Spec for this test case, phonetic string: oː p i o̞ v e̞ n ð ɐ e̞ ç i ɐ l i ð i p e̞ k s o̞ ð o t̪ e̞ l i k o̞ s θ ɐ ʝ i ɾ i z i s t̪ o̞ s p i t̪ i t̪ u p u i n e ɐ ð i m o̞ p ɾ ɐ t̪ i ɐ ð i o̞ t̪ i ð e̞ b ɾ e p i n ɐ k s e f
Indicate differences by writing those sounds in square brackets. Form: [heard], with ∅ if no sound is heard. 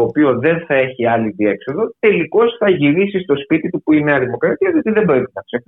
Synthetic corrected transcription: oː p i o̞ [ð] e̞ n [θ] ɐ e̞ ç i ɐ l i ð i [∅] e̞ k s o̞ ð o t̪ e̞ l i k o̞ s θ ɐ ʝ i ɾ i [s] i s t̪ o̞ s p i t̪ i t̪ u p u i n e ɐ ð i m o̞ [k] ɾ ɐ t̪ i ɐ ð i o̞ t̪ i ð e̞ b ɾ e p i n ɐ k s e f